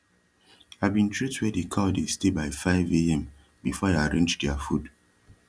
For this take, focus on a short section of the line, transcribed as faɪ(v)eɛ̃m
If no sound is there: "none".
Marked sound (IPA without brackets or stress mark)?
v